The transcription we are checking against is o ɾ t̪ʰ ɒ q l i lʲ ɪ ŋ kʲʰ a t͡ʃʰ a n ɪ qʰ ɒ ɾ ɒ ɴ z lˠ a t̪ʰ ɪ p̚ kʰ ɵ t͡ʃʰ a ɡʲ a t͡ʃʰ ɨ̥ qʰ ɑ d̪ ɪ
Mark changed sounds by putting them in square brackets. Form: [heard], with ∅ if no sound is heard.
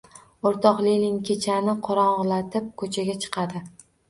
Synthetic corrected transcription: o ɾ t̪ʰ ɒ q l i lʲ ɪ ŋ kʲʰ [e] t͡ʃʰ a n ɪ qʰ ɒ ɾ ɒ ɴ [ʁ] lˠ a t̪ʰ ɪ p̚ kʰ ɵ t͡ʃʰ a ɡʲ a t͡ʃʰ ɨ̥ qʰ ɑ d̪ ɪ